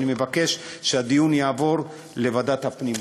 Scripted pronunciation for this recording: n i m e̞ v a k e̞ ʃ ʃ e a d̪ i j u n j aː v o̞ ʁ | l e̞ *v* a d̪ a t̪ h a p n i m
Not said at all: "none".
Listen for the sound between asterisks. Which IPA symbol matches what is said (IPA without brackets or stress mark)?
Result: v